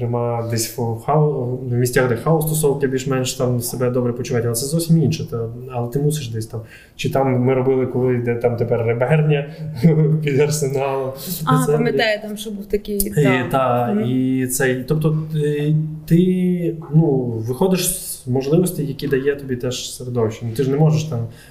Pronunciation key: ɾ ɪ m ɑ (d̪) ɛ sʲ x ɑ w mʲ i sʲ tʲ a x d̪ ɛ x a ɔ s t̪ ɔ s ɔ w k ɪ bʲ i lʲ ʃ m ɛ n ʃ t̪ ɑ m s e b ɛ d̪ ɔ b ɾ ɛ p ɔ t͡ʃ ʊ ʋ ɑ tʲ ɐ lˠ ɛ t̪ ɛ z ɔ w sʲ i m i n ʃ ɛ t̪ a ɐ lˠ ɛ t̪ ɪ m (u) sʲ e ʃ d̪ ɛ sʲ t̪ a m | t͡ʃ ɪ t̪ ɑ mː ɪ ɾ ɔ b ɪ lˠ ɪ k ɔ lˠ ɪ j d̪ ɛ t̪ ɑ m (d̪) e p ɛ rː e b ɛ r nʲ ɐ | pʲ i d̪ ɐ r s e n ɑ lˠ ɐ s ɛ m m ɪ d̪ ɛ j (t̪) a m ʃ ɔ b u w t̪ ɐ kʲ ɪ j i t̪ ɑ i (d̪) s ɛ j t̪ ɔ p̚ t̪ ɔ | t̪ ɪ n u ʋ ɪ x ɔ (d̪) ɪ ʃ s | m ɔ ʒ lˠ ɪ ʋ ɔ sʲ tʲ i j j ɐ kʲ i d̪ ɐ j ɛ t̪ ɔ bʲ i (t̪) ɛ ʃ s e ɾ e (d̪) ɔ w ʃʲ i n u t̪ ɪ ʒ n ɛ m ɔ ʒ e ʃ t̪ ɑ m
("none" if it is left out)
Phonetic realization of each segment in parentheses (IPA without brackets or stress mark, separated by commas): d̪, u, t̪, t̪, t̪, d̪, t̪, d̪